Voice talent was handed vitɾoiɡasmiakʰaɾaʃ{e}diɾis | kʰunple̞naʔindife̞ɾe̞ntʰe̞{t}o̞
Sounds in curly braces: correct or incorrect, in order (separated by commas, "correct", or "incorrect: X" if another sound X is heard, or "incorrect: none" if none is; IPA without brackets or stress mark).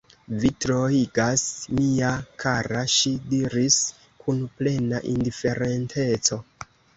incorrect: i, incorrect: t͡s